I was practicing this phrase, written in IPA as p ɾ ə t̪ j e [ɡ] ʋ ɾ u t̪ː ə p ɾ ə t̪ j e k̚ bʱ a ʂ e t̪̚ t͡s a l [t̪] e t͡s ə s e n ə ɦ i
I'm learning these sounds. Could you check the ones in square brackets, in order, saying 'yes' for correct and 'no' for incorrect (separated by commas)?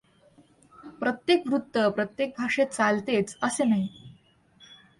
no, yes